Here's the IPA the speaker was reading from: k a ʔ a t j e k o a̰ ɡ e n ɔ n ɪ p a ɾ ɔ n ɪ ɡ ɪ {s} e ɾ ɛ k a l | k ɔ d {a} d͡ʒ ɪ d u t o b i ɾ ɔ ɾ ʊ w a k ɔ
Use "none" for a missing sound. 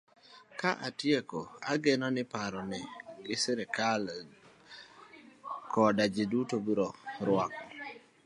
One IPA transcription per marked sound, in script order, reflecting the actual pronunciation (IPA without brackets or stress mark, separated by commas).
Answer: s, a